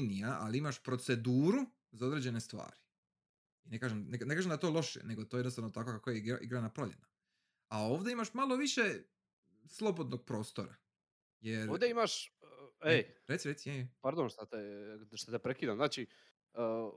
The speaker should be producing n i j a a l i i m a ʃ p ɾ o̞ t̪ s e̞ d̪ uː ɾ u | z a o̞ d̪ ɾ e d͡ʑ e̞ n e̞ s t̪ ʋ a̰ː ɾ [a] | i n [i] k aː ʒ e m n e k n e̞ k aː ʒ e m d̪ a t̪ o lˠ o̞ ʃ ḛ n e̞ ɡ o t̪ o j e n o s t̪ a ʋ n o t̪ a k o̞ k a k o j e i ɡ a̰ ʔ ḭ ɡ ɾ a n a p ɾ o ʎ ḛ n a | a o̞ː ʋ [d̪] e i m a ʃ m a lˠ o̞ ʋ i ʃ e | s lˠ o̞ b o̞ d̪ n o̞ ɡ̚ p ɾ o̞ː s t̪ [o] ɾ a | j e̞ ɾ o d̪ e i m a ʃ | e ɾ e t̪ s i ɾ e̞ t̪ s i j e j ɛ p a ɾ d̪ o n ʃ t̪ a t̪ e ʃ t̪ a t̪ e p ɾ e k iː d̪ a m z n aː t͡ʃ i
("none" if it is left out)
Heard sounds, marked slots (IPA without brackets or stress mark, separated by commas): i, e, d̪, o